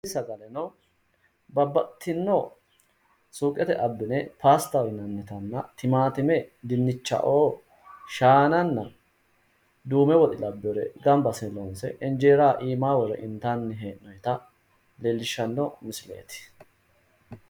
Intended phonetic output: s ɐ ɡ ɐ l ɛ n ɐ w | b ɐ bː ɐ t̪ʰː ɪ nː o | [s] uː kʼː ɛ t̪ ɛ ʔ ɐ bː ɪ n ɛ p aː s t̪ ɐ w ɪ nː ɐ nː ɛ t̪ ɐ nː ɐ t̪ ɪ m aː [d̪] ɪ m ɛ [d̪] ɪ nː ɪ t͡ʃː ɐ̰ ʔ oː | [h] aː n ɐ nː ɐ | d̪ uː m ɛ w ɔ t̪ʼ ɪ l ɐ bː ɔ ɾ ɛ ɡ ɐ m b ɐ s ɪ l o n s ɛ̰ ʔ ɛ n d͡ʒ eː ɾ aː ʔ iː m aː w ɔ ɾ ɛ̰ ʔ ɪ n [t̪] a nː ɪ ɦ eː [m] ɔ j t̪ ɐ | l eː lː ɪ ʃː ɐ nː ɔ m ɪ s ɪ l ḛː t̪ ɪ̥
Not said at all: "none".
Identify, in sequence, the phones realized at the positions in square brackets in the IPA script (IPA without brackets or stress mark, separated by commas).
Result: s, t̪, d̪, ʃ, t̪, n